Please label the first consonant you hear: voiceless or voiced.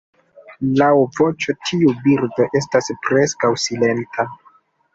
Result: voiced